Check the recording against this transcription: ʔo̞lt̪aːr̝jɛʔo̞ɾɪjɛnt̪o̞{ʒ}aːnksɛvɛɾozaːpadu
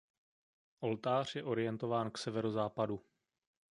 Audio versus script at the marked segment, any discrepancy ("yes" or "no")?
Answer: yes